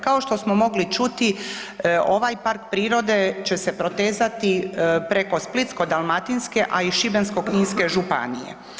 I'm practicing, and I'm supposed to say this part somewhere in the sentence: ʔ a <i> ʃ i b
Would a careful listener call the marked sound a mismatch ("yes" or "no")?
no